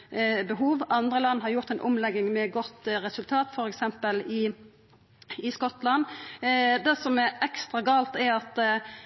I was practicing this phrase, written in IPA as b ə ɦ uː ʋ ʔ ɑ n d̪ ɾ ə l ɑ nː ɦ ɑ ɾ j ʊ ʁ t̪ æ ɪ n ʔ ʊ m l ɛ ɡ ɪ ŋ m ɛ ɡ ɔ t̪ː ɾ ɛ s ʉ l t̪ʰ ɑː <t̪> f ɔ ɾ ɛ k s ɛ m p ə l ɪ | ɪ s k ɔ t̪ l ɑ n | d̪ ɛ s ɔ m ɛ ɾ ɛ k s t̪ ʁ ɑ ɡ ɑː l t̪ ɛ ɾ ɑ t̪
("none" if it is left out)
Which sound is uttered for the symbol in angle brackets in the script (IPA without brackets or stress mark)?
t̪